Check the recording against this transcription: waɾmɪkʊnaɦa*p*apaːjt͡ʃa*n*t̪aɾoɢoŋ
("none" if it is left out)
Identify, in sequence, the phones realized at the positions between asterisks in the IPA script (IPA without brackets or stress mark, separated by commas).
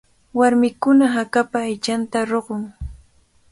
k, n